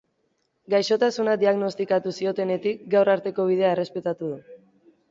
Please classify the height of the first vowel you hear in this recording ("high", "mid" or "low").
low